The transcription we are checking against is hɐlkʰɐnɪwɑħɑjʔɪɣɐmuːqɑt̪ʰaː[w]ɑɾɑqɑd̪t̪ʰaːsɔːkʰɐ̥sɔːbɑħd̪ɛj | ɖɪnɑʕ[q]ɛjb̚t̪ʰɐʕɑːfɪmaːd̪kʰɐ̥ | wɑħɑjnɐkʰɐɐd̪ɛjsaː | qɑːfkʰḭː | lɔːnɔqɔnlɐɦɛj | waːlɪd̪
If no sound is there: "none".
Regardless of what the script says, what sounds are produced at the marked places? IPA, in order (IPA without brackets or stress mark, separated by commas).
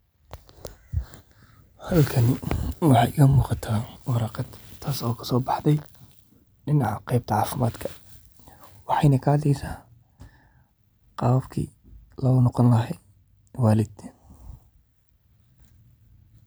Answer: w, q